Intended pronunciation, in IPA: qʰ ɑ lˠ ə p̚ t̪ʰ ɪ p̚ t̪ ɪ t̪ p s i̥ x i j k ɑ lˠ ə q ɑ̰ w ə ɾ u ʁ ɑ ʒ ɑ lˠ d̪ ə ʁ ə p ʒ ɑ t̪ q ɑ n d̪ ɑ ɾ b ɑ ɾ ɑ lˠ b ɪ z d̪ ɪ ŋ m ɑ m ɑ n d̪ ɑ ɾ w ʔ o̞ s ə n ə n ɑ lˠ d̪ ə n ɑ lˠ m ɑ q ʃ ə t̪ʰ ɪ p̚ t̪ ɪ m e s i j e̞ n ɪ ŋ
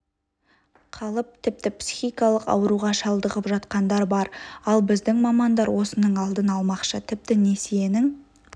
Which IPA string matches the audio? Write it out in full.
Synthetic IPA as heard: qʰ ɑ lˠ ə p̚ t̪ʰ ɪ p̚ t̪ ɪ p s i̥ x i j k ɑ lˠ ə q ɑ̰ w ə ɾ u ʁ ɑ ʃ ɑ lˠ d̪ ə ʁ ə p ʒ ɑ t̪ q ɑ n d̪ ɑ ɾ b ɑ ɾ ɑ lˠ b ɪ z d̪ ɪ ŋ m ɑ m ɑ n d̪ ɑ ɾ w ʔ o̞ s ə n ə ɴ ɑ lˠ d̪ ə n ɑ lˠ m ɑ q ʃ ə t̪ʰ ɪ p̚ t̪ ɪ n e s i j e̞ n ɪ ŋ